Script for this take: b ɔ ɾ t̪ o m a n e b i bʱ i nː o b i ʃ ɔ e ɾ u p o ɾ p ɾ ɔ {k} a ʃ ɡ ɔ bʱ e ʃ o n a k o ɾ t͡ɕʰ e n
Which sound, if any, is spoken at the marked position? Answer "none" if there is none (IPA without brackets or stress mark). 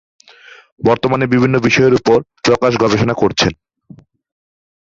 k